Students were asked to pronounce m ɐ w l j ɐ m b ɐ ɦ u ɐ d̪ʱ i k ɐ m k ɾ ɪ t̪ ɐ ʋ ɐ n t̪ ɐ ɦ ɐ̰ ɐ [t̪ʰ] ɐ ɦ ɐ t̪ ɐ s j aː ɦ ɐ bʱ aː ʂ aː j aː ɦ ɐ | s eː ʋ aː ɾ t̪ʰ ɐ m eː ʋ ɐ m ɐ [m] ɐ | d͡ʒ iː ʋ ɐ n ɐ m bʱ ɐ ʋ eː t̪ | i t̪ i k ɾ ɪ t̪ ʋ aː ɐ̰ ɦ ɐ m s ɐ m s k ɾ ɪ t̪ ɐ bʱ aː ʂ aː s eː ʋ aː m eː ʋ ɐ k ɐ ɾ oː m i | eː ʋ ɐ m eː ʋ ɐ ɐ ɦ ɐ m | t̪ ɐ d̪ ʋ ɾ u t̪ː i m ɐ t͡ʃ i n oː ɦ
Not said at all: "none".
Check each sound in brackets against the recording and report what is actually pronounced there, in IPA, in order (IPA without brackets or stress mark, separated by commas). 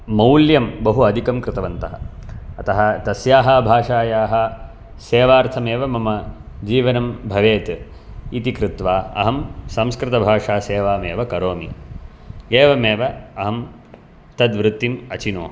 t̪, m